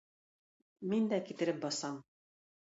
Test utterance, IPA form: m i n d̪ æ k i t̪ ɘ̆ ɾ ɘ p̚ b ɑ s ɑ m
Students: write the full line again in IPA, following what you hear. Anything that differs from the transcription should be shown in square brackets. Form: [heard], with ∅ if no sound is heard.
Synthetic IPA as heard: m i n d̪ æ k i t̪ ɘ̆ ɾ ɘ p̚ b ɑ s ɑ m